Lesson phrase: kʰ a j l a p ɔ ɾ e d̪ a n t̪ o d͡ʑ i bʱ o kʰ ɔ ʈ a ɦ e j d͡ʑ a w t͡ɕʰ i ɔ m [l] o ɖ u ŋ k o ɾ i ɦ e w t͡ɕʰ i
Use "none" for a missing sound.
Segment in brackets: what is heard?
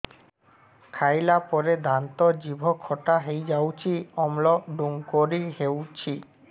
l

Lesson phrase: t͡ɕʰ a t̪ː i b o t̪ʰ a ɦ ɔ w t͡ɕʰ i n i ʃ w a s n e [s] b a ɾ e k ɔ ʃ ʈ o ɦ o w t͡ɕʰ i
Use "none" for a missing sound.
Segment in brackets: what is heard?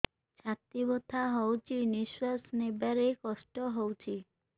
none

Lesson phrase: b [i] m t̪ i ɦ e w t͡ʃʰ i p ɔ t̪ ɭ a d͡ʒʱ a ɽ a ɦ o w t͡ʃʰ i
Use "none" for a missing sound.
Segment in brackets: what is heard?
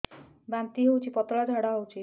a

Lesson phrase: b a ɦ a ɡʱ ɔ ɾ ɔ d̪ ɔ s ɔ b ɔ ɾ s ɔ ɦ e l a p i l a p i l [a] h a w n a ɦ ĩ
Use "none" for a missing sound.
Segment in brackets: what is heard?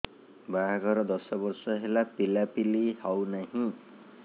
i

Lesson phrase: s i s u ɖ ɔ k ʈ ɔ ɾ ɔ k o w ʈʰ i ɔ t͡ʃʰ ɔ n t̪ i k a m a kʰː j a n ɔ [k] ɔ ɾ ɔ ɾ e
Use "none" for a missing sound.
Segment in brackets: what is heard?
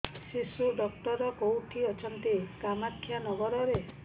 ɡ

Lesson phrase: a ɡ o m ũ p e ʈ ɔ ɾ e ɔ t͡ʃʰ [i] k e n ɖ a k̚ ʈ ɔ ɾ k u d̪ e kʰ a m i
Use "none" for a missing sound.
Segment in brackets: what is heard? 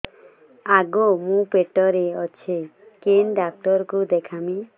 e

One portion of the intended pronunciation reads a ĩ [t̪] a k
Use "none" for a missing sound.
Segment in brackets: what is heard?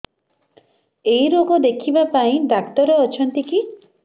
d̪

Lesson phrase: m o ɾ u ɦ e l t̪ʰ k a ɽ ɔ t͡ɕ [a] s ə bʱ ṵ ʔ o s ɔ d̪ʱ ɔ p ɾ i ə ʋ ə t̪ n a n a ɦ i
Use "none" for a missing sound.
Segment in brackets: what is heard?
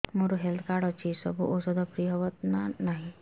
i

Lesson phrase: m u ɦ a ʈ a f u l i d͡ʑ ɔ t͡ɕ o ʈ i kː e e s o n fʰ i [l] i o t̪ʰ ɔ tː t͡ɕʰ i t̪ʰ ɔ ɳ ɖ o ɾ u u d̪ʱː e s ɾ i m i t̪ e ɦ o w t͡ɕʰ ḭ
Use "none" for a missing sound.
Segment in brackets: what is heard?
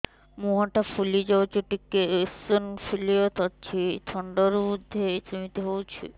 l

